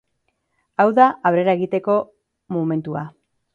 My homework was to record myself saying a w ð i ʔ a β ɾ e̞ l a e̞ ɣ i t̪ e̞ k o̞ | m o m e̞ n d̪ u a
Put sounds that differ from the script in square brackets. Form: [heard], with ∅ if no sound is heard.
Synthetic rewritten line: a w ð [a] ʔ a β ɾ e̞ [ɾ] a e̞ ɣ i t̪ e̞ k o̞ | m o m e̞ n [t̪] u a